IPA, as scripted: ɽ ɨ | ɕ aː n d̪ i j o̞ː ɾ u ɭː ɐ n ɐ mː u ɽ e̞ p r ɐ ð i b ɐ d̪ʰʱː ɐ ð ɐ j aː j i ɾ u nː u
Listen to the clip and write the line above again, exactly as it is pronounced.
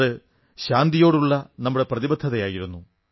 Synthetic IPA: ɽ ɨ | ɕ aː n d̪ i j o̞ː ɽ u ɭː ɐ n ɐ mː u ɽ e̞ p r ɐ ð i b ɐ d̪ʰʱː ɐ ð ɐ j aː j i ɾ u nː u